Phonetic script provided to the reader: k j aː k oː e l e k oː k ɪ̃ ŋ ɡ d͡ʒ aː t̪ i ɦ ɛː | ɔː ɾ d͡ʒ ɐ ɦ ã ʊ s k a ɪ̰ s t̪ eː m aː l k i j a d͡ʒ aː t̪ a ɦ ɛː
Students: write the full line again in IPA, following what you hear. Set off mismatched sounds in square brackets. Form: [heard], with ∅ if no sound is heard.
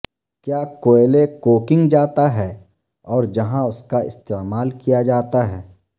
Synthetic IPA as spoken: k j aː k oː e l e k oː k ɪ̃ ŋ ɡ d͡ʒ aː t̪ [a] ɦ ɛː | ɔː ɾ d͡ʒ ɐ ɦ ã ʊ s k a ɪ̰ s t̪ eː m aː l k i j a d͡ʒ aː t̪ a ɦ ɛː